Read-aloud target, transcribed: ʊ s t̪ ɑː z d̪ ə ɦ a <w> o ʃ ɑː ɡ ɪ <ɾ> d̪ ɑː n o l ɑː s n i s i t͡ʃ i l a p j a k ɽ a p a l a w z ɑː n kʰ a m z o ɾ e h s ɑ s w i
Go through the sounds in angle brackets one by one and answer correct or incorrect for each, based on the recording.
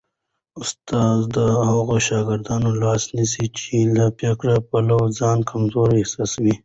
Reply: incorrect: ɣ, correct

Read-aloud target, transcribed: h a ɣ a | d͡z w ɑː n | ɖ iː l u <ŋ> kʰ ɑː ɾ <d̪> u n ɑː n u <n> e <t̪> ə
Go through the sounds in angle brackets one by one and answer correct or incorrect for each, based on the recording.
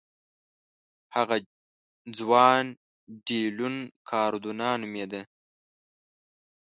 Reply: incorrect: n, correct, incorrect: m, incorrect: d̪

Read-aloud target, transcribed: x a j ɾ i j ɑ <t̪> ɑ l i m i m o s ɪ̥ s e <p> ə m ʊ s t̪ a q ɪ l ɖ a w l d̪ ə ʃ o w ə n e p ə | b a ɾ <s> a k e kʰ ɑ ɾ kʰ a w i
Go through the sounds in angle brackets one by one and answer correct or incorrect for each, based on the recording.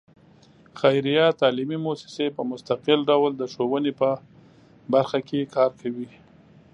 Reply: correct, correct, incorrect: x

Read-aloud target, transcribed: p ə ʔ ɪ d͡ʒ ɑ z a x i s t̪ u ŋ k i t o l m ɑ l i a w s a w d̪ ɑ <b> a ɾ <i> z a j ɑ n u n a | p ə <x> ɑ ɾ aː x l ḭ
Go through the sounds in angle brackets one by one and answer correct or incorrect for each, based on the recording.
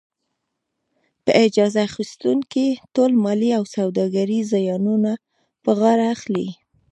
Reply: incorrect: ɡ, correct, incorrect: ɣ

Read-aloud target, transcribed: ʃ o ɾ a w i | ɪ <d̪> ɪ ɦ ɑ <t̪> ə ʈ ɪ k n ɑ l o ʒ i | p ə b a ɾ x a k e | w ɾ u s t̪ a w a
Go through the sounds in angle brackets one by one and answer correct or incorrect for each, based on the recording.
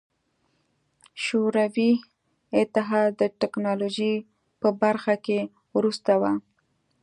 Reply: incorrect: t̪, incorrect: d̪

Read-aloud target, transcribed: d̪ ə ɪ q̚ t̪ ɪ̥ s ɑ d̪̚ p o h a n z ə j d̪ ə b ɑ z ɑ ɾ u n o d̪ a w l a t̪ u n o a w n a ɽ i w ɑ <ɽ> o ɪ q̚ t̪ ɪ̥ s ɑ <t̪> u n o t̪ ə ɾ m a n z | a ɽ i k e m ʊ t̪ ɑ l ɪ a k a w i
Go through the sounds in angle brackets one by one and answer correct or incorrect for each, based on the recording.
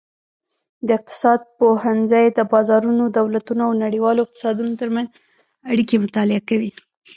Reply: incorrect: l, incorrect: d̪

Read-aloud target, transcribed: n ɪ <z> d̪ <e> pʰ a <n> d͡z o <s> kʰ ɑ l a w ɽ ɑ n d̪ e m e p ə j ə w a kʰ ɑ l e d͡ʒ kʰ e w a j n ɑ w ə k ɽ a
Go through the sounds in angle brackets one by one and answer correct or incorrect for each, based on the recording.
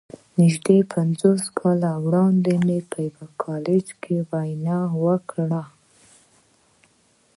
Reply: incorrect: ʒ, correct, correct, correct

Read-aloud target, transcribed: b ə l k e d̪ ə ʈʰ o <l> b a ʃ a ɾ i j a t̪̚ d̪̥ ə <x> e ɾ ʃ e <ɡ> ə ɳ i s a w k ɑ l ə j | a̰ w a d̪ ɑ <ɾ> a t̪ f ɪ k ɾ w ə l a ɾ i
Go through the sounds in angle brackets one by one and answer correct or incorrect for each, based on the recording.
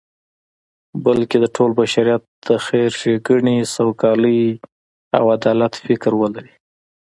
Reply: correct, correct, correct, incorrect: l

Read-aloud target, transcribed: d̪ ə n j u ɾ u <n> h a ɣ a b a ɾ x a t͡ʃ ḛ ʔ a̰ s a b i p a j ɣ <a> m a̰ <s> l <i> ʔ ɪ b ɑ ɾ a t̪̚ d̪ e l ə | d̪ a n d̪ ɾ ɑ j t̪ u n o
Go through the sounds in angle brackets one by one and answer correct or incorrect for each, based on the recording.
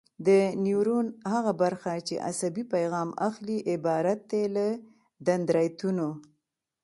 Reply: correct, incorrect: ɑ, incorrect: x, correct

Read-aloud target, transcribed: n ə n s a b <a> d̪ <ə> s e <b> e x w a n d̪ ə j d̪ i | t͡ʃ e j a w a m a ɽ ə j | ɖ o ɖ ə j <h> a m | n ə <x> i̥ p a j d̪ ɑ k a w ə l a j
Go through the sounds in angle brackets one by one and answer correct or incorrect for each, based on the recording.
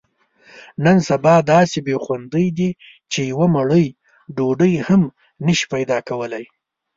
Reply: incorrect: ɑ, incorrect: ɑ, correct, correct, incorrect: ʃ

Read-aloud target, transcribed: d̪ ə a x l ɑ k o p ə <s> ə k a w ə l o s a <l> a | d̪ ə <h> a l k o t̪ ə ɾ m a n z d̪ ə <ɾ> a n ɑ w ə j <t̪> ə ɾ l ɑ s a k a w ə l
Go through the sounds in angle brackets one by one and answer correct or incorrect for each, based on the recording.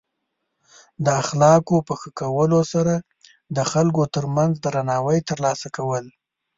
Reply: incorrect: x, incorrect: ɾ, incorrect: x, correct, correct

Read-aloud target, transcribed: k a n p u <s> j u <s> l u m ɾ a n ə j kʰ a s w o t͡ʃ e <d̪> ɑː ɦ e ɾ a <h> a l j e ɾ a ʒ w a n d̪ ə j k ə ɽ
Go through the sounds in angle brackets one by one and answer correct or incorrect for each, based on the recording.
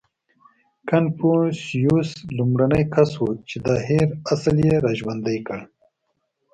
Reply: correct, correct, correct, incorrect: s

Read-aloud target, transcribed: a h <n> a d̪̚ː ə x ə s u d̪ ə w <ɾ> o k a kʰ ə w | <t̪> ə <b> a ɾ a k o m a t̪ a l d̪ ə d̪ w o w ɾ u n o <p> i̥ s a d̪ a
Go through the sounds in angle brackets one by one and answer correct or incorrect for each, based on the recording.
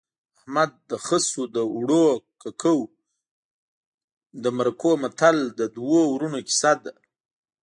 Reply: incorrect: m, incorrect: ɽ, incorrect: d̪, incorrect: m, incorrect: k

